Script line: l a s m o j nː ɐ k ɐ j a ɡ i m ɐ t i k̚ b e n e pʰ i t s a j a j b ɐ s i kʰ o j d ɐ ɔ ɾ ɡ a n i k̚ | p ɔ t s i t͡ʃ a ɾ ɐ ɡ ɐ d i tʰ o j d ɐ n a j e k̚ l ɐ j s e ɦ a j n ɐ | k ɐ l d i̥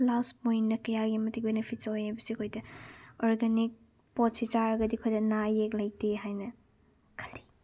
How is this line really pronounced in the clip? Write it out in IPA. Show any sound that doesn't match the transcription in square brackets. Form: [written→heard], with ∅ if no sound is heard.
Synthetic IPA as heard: l a s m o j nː ɐ k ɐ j a ɡ i m ɐ t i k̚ b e n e pʰ i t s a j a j b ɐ s i kʰ o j d ɐ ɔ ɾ ɡ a n i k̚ | p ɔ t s i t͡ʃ a ɾ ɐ ɡ ɐ d i [tʰ→kʰ] o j d ɐ n a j e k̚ l ɐ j [s→t] e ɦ a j n ɐ | [k→kʰ] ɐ l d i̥